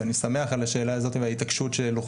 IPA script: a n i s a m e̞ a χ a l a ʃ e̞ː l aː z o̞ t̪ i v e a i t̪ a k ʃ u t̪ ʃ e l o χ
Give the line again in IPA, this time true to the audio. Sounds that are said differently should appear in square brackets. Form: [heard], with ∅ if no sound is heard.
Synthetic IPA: a n i s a m e̞ a χ a l a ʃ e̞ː l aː z o̞ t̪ i v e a i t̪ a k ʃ u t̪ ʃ e l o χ

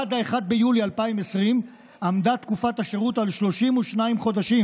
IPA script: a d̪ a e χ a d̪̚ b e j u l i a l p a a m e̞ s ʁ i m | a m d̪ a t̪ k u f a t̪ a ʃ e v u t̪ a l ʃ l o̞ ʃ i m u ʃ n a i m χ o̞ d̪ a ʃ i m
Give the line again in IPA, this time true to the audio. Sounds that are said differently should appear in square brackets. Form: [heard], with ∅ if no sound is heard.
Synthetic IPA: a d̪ a e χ a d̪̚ b e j u l i a l p a [i] m e̞ s ʁ i m | a m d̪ a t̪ k u f a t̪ a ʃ e [ʁ] u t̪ a l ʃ l o̞ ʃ i m u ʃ n a i m χ o̞ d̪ a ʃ i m

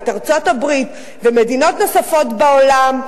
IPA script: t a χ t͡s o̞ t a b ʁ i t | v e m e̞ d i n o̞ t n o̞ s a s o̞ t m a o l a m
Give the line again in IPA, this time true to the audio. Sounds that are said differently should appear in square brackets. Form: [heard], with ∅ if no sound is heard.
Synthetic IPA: t a [ʁ] t͡s o̞ t a b ʁ i t | v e m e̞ d i n o̞ t n o̞ s a [f] o̞ t [b] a o l a m

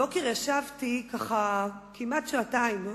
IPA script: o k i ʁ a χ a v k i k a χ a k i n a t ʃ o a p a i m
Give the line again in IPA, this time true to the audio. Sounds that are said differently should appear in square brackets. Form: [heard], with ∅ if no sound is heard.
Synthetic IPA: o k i ʁ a [ʃ] a v [t] i k a χ a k i [m] a t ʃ o a [t] a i m

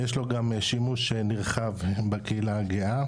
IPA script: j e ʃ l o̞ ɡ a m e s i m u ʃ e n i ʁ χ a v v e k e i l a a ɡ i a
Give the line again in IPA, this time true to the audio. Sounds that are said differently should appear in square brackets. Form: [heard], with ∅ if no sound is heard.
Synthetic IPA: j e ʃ l o̞ ɡ a m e [ʃ] i m u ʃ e n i ʁ χ a v [b] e k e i l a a ɡ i a

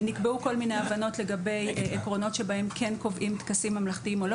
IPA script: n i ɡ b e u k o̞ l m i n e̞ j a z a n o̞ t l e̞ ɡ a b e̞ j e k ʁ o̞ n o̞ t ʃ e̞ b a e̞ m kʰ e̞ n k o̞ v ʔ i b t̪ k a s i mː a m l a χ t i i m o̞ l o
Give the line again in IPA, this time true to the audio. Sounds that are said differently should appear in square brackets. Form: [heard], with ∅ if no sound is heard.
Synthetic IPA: n i [k] b e u k o̞ l m i n e̞ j a [v] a n o̞ t l e̞ ɡ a b e̞ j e k ʁ o̞ n o̞ t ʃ e̞ b a e̞ m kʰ e̞ n k o̞ v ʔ i [m] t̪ k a s i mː a m l a χ t i i m o̞ l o

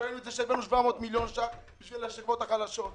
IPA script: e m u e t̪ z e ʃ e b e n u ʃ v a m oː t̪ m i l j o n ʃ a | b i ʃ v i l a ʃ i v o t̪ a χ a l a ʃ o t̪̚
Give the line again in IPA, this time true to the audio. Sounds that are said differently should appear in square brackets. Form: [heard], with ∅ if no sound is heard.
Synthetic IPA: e [n] u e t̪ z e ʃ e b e n u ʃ v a m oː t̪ m i l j o n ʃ a | b i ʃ v i l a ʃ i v o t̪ a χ a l a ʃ o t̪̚

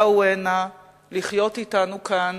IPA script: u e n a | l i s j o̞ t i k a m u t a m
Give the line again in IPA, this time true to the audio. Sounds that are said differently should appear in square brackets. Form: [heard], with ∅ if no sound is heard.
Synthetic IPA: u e n a | l i [χ] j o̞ t i [t] a [n] u [k] a [n]

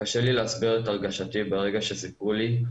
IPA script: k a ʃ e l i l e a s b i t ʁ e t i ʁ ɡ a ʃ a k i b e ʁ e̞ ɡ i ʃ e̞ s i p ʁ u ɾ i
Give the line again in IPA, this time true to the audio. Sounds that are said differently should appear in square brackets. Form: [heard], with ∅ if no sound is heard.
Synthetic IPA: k a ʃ e l i l e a s b i [∅] ʁ e t [a] ʁ ɡ a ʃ a [t] i b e ʁ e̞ ɡ [a] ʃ e̞ s i p ʁ u [l] i

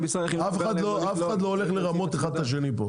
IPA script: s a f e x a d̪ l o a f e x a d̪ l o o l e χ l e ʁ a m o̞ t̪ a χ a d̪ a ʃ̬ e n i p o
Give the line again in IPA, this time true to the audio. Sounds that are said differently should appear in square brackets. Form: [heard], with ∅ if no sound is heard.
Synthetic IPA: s a f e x a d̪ l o a f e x a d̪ l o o l e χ l e ʁ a m o̞ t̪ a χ a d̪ a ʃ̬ e n i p o

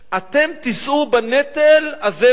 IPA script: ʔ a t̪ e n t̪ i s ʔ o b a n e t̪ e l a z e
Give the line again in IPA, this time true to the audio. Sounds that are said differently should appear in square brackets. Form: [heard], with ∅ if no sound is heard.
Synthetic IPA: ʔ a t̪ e [m] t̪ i s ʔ [u] b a n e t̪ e l a z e

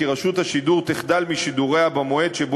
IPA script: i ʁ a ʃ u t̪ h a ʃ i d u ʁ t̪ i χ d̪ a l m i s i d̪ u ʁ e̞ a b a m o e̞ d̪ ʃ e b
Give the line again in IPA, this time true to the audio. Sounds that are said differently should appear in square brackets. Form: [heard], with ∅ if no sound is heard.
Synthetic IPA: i ʁ a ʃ u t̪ h a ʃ i d u ʁ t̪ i χ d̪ a l m i [ʃ] i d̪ u ʁ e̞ a b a m o e̞ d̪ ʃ e b

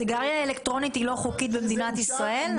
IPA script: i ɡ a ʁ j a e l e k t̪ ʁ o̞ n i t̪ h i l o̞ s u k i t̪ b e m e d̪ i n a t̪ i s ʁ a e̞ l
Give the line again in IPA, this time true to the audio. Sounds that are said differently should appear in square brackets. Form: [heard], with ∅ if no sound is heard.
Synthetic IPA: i ɡ a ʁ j a e l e k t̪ ʁ o̞ n i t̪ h i l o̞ [χ] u k i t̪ b e m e d̪ i n a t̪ i s ʁ a e̞ l

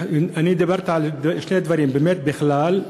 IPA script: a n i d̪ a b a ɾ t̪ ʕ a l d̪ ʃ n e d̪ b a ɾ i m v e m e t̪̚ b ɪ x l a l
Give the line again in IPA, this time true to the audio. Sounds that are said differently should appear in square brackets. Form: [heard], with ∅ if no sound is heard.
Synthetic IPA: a n i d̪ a b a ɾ t̪ ʕ a l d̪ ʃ n e d̪ [v] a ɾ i m [b] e m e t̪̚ b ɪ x l a l

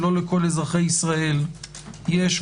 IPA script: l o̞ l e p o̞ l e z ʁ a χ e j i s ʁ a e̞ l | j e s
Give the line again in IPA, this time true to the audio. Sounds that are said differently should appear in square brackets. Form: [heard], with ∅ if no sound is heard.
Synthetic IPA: l o̞ l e [k] o̞ l e z ʁ a χ e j i s ʁ a e̞ l | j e [ʃ]

